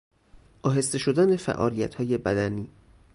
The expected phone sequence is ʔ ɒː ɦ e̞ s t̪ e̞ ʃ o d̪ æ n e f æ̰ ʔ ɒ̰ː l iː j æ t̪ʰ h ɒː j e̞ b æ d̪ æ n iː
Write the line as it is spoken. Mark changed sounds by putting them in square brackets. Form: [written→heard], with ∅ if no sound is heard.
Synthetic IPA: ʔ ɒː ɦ e̞ s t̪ e̞ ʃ o d̪ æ n e f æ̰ ʔ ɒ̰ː l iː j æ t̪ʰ h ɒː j e̞ b æ d̪ æ n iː